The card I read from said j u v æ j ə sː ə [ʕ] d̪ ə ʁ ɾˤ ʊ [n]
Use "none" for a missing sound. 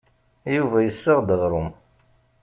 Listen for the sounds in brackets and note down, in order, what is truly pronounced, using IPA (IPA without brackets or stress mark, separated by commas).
ʁ, m